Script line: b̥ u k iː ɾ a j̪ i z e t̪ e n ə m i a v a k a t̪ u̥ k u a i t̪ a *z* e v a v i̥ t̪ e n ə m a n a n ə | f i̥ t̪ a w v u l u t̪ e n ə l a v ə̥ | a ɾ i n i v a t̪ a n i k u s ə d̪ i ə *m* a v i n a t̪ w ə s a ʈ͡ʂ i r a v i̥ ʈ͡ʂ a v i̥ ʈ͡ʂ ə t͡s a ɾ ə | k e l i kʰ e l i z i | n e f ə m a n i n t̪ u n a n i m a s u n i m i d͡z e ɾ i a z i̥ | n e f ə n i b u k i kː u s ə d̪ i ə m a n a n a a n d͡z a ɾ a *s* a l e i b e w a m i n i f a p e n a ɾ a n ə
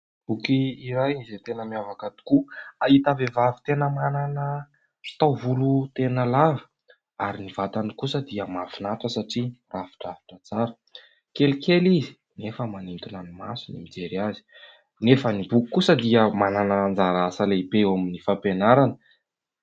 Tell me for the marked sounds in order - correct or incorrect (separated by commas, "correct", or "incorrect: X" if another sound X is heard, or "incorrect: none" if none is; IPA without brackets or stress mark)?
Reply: incorrect: v, correct, correct